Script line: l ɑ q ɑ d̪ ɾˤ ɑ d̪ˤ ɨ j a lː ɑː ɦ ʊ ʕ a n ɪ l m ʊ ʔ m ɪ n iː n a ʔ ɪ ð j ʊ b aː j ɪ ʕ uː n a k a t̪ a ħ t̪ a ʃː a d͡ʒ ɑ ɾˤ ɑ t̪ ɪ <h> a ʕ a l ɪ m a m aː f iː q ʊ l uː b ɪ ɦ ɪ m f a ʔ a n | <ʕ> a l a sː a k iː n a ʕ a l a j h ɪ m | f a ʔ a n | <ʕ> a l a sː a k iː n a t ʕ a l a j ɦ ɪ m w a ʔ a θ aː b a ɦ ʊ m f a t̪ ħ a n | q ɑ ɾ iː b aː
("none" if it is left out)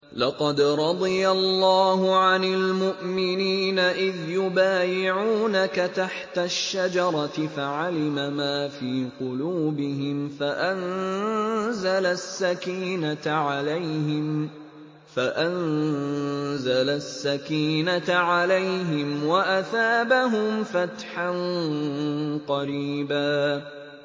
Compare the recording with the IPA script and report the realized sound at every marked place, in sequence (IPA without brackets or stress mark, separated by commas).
f, z, z